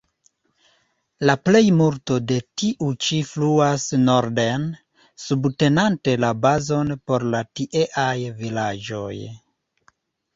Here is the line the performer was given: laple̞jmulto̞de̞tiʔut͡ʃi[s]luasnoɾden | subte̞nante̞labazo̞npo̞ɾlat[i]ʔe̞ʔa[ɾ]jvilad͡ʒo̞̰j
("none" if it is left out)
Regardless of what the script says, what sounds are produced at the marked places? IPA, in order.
f, i, none

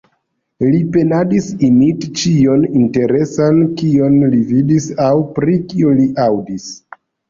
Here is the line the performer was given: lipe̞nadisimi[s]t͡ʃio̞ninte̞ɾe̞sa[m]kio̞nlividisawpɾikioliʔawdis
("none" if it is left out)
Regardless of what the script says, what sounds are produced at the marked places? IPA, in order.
t, n

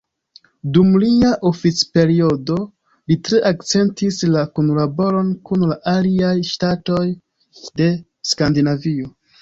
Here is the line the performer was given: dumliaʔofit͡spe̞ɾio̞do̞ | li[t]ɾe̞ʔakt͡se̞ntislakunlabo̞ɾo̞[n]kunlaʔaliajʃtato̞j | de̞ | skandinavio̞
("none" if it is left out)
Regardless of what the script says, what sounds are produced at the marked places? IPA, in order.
t, n

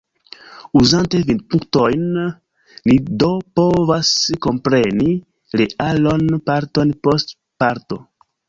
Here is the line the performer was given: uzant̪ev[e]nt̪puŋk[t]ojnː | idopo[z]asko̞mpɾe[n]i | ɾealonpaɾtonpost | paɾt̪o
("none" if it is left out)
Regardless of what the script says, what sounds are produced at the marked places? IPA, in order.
i, t, v, n

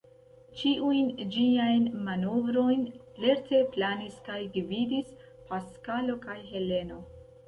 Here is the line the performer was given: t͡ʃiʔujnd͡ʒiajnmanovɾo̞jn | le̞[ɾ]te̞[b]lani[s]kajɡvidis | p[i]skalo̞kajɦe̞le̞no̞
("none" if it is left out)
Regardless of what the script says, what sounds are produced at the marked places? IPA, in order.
ɾ, p, s, a

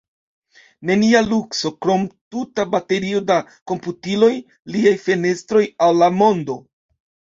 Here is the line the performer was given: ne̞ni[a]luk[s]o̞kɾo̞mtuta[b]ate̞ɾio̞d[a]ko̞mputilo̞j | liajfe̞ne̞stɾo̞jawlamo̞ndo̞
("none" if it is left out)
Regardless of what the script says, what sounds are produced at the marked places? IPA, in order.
a, s, b, a

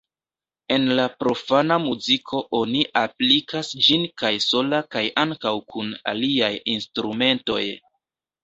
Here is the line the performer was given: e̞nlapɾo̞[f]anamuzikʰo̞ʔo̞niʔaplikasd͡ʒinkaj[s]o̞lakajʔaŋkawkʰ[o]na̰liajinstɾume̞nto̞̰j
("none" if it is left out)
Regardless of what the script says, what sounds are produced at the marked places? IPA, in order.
f, s, u

